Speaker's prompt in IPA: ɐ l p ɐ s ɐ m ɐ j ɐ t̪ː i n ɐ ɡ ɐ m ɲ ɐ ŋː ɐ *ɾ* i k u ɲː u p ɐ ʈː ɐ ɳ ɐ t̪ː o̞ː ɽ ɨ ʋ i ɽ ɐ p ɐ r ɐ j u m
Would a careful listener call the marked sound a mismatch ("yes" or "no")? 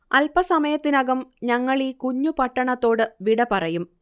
yes